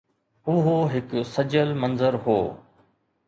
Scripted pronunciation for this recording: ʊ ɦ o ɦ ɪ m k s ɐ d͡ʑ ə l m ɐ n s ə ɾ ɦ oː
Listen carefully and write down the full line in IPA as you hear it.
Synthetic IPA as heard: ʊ ɦ o ɦ ɪ k s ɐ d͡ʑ ə l m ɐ n z ə ɾ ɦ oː